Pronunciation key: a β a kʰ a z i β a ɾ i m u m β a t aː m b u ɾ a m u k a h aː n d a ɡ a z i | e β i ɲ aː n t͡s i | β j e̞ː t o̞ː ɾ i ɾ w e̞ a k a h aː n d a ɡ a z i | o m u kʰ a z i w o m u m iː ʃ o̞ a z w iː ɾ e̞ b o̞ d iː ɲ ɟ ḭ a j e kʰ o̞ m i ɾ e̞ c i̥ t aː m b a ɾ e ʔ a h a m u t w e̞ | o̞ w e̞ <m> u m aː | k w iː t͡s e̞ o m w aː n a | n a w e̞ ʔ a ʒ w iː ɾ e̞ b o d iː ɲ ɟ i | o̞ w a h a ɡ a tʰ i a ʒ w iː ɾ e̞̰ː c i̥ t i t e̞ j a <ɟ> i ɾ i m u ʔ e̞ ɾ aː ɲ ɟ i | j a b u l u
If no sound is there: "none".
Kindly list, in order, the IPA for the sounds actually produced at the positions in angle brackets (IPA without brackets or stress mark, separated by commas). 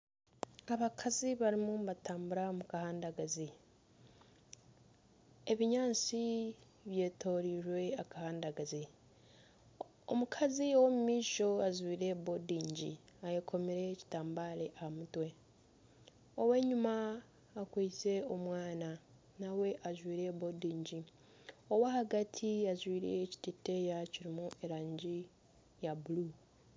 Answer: ɲ, c